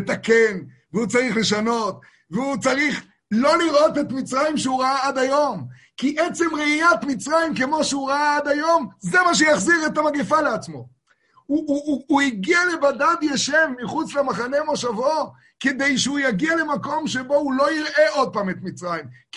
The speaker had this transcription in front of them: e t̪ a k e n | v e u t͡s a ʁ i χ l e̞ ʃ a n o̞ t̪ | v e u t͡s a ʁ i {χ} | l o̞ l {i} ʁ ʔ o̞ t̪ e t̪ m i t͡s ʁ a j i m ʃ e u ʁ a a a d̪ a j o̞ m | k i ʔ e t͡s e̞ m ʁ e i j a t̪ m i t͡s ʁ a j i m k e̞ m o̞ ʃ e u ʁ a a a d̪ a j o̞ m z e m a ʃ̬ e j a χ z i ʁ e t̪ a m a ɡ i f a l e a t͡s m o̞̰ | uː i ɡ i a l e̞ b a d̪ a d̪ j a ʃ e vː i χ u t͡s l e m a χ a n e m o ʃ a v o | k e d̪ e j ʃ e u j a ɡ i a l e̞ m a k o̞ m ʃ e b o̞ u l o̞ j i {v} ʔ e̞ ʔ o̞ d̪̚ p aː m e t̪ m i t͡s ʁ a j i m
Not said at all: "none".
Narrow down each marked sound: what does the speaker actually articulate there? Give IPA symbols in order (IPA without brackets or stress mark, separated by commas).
χ, i, ʁ